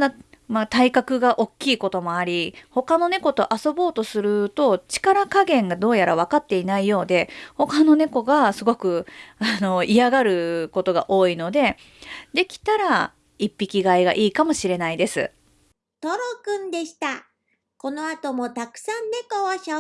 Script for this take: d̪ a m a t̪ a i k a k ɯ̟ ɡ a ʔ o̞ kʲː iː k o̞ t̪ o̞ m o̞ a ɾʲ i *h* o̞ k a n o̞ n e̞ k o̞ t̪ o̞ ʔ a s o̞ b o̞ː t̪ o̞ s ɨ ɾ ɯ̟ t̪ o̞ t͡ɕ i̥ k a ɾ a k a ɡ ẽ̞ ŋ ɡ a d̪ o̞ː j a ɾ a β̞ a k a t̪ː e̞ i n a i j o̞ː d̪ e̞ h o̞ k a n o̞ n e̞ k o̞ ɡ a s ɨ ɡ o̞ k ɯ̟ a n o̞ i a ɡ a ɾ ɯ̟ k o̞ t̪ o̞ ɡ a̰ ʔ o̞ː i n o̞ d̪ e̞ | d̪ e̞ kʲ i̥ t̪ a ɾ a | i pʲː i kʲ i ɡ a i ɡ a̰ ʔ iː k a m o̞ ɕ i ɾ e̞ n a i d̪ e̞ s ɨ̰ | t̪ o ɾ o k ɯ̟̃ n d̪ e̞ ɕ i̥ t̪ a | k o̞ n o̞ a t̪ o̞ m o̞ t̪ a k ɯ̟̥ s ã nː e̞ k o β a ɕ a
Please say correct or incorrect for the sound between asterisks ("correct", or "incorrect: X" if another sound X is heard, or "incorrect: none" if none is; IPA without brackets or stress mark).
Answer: correct